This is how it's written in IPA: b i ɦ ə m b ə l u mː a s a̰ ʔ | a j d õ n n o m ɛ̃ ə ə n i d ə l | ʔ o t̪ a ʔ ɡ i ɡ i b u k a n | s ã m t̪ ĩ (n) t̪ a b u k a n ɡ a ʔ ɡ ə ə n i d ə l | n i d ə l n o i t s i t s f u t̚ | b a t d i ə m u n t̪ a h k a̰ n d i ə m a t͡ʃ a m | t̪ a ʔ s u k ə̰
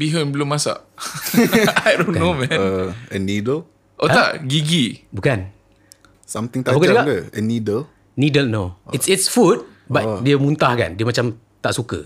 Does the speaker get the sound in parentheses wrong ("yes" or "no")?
yes